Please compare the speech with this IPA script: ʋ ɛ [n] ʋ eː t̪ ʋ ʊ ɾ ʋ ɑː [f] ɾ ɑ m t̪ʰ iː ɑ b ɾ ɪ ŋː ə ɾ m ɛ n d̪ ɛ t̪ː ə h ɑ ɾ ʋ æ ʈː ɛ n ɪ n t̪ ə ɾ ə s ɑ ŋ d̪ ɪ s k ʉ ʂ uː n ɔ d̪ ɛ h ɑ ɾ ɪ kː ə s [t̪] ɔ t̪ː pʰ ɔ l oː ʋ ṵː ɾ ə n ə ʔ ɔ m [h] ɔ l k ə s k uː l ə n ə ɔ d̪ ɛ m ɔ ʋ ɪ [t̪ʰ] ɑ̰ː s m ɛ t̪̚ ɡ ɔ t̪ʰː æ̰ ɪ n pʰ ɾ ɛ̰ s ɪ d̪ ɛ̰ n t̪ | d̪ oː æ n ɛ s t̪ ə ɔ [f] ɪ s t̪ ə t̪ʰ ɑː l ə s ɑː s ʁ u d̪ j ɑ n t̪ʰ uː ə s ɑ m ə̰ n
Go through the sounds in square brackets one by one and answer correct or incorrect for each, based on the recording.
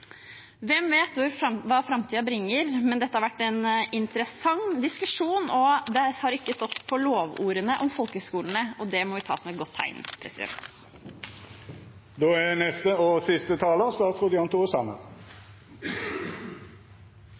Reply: incorrect: m, correct, correct, incorrect: f, correct, incorrect: s

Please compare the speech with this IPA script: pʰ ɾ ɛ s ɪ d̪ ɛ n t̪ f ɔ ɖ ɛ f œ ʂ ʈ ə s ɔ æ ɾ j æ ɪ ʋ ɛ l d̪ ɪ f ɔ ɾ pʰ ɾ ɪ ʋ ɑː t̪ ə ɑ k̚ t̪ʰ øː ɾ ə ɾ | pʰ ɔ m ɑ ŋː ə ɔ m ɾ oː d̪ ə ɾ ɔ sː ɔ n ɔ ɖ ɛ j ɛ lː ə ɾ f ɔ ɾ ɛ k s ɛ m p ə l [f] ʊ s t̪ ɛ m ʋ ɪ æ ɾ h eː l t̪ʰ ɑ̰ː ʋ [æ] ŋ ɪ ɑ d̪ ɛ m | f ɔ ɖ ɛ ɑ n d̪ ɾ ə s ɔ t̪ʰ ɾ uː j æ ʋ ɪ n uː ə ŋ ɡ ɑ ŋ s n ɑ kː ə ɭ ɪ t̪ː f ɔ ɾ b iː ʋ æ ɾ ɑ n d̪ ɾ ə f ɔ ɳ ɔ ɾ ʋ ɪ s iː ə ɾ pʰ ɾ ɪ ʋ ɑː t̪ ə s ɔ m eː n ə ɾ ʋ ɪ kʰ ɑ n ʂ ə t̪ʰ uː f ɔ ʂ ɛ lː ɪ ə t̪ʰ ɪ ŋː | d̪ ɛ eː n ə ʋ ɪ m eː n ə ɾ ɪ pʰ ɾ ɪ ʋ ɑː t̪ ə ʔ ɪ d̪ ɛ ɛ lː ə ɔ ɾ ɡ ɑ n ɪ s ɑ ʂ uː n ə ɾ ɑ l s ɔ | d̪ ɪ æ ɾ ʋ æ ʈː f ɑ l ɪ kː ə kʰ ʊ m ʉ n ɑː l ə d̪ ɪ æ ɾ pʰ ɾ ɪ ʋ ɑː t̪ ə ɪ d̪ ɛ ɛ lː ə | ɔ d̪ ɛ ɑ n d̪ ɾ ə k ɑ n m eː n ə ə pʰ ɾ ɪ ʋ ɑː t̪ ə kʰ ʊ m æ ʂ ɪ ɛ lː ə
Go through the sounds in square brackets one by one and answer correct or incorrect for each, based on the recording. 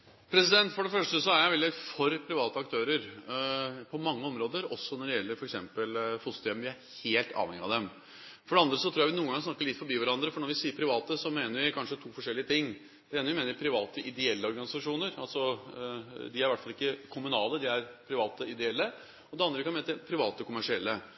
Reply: correct, incorrect: ɛ

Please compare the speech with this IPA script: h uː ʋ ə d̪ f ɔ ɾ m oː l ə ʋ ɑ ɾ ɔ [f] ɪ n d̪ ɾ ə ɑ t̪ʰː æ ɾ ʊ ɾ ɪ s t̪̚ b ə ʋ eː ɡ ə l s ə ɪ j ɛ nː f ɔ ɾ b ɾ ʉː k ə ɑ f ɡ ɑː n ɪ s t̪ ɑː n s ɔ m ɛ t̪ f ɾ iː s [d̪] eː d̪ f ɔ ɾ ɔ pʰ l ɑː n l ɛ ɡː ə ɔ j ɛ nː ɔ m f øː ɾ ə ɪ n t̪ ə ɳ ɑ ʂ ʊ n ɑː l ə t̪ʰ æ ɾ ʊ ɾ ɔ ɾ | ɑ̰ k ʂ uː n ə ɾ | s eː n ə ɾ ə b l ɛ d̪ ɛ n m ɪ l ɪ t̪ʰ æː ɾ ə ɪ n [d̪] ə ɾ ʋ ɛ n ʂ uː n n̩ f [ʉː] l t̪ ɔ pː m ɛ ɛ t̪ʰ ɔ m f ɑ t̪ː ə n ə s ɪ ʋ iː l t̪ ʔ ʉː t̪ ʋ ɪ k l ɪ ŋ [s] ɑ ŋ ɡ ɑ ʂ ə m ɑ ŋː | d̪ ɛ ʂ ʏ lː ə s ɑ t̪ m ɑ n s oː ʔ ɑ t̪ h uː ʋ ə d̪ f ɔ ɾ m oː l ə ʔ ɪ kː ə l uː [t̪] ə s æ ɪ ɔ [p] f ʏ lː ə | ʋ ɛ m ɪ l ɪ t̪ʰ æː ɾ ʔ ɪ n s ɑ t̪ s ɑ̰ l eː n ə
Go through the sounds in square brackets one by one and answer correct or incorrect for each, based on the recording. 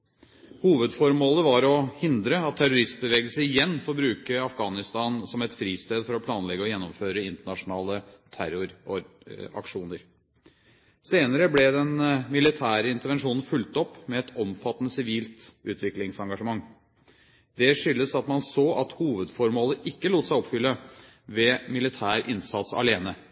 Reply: incorrect: h, incorrect: t̪, incorrect: t̪, incorrect: ʉ, correct, correct, correct

